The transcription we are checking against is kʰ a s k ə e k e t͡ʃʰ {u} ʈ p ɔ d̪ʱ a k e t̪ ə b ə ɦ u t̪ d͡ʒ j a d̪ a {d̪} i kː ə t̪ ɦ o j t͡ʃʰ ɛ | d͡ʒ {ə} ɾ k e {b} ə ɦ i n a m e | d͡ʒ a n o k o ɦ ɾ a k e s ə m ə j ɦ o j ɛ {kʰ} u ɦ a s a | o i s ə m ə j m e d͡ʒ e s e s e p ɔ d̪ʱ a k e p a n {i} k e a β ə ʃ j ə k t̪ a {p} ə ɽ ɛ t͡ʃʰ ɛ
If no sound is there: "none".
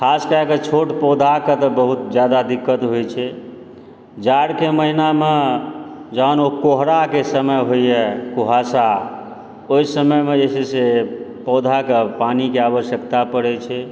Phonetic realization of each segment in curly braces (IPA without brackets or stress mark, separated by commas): o, d̪, a, m, k, i, p